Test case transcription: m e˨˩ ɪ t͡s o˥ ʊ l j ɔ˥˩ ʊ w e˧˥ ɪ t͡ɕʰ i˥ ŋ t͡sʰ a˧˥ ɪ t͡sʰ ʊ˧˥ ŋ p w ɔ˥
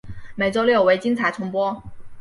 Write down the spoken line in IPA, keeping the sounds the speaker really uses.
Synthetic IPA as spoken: m e˨˩ ɪ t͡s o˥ ʊ l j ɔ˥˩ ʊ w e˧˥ ɪ t͡ɕ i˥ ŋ t͡sʰ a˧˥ ɪ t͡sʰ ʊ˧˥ ŋ p w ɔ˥